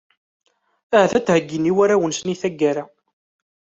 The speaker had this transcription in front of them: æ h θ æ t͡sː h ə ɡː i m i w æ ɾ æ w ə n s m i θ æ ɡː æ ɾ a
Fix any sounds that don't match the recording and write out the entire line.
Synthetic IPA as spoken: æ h θ æ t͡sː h ə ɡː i n i w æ ɾ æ w ə n s n i θ æ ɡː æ ɾ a